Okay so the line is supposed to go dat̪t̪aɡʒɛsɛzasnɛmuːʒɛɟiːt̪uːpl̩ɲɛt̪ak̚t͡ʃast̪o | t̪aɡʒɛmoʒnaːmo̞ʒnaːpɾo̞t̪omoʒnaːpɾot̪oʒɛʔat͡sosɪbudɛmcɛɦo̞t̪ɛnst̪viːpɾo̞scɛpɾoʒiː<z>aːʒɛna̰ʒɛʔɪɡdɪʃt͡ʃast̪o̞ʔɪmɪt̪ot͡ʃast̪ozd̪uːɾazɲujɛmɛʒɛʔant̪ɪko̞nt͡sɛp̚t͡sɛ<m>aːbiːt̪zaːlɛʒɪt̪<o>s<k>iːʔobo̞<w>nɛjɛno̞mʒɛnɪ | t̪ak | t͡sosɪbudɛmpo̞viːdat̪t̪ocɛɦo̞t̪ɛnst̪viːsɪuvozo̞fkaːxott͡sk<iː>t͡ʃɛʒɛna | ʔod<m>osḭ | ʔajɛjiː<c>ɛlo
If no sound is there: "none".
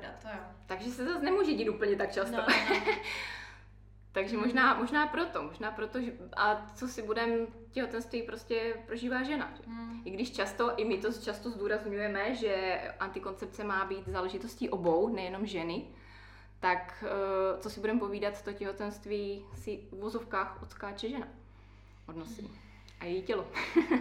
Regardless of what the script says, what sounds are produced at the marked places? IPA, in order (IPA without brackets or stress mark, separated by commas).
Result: v, m, o, c, w, aː, n, c